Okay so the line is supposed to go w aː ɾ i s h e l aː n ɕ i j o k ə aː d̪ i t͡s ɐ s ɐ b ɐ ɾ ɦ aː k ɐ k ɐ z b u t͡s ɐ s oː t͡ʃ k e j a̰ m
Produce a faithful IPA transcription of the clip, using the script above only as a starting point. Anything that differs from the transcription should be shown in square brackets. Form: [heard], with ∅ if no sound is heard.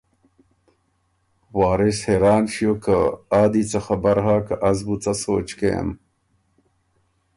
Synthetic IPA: w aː ɾ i s h e [ɾ] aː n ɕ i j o k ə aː d̪ i t͡s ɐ [x] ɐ b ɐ ɾ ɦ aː k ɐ [ʔ] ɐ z b u t͡s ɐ s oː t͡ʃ k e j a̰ m